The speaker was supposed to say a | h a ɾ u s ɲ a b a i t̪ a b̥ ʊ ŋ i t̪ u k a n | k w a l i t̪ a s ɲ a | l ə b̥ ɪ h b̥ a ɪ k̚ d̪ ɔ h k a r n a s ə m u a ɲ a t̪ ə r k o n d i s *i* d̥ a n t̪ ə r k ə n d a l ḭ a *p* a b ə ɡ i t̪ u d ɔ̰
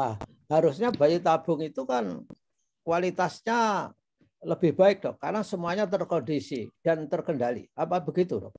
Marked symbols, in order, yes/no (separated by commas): yes, yes